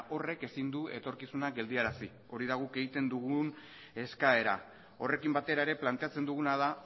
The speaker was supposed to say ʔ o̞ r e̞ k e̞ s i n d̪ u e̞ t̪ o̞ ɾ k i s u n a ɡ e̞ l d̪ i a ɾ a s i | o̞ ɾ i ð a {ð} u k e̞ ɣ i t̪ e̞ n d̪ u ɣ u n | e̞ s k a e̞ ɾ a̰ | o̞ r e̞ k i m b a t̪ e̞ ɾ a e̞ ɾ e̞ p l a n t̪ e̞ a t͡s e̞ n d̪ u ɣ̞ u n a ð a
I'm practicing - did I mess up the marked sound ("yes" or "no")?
yes